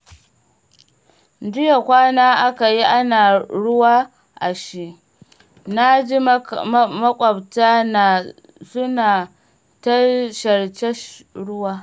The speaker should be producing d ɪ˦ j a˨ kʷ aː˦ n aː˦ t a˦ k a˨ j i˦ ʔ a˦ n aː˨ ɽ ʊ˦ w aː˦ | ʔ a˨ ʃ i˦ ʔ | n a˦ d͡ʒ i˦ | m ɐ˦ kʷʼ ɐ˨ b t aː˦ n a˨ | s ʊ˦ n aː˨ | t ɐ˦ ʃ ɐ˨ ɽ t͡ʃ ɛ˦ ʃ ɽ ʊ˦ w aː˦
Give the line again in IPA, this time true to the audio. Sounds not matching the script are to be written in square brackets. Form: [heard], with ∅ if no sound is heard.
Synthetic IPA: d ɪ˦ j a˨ kʷ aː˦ n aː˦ [ʔ] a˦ k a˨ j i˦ ʔ a˦ n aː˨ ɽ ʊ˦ w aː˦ | ʔ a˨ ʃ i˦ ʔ | n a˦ d͡ʒ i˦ | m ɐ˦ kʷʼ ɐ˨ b t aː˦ n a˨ | s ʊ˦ n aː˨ | t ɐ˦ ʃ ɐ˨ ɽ t͡ʃ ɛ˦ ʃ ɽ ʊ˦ w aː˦